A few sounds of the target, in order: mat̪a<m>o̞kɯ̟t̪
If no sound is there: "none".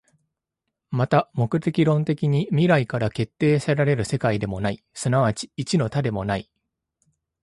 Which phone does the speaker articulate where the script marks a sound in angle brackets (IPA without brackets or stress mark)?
m